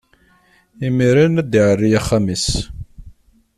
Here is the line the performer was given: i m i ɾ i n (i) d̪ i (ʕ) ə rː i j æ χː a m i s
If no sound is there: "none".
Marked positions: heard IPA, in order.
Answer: æ, ʕ

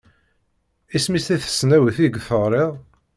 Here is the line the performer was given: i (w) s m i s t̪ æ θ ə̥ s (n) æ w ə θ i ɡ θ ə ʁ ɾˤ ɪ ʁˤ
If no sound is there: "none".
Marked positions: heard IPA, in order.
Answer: none, n

